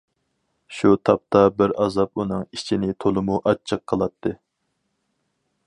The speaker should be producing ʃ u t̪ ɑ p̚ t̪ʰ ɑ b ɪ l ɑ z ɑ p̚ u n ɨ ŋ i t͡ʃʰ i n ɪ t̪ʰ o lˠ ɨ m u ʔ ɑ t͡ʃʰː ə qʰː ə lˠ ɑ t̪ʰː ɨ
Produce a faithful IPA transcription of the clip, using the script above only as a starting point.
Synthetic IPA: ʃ u t̪ʰ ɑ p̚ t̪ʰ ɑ b ɪ ɾ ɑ z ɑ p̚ u n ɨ ŋ i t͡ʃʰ i n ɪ t̪ʰ o lˠ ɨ m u ʔ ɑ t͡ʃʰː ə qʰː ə lˠ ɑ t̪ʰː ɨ